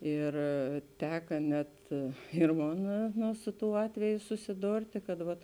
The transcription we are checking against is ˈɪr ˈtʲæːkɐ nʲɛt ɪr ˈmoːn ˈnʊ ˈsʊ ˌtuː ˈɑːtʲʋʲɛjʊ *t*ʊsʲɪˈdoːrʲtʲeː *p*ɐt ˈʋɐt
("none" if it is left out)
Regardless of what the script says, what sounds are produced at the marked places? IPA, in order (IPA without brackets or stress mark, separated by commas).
s, k